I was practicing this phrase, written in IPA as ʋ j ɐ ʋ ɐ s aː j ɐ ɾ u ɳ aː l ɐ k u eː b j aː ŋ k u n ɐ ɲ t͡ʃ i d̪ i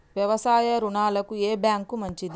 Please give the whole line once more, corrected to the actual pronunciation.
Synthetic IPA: ʋ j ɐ ʋ ɐ s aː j ɐ ɾ u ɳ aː l ɐ k u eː b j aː ŋ k u m ɐ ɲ t͡ʃ i d̪ i